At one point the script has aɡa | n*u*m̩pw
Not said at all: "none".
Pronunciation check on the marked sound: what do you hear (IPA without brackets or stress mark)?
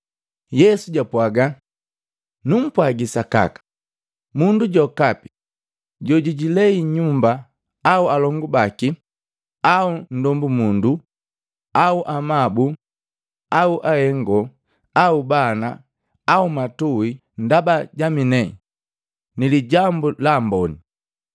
u